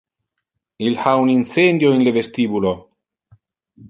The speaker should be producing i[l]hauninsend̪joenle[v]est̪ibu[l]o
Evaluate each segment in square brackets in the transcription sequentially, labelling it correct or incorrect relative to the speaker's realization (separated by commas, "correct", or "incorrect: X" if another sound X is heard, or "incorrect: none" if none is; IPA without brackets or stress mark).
correct, correct, correct